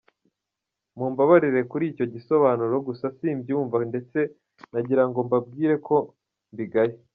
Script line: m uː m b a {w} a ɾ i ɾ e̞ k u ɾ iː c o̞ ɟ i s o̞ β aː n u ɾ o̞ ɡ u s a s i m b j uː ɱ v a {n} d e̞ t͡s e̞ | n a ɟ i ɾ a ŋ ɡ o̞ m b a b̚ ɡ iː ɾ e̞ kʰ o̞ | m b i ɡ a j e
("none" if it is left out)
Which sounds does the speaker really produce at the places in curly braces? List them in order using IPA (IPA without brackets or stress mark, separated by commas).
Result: β, n